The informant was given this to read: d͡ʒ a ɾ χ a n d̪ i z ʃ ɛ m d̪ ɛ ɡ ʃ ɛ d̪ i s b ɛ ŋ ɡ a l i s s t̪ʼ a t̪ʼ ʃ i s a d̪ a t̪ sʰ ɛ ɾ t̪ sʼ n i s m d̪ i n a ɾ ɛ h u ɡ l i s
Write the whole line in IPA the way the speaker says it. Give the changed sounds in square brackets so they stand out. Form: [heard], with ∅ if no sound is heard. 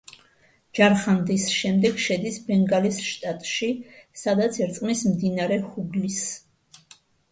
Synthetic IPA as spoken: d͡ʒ a ɾ χ a n d̪ i [s] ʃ ɛ m d̪ ɛ ɡ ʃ ɛ d̪ i s b ɛ ŋ ɡ a l i s [ʃ] t̪ʼ a t̪ʼ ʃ i s a d̪ a t̪ sʰ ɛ ɾ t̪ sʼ [m] i s m d̪ i n a ɾ ɛ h u ɡ l i s